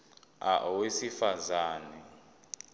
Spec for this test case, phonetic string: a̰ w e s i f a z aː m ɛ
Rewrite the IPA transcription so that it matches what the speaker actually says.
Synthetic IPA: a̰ w e s i f a z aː n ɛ